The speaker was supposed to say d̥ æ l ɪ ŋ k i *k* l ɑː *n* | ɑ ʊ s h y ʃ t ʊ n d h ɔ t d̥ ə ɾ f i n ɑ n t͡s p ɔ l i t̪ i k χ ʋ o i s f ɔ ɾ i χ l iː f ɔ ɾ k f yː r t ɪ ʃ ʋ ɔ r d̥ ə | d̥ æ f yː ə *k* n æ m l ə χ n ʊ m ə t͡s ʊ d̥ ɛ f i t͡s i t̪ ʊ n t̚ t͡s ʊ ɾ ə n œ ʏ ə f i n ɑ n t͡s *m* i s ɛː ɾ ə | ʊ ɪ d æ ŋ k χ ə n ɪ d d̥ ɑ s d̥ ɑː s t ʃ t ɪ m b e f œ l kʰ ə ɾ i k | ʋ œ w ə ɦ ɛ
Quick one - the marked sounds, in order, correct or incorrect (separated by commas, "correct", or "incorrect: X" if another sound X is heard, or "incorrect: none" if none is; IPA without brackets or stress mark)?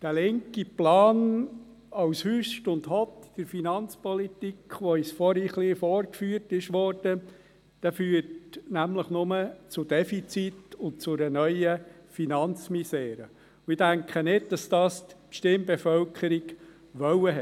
incorrect: p, correct, incorrect: t, correct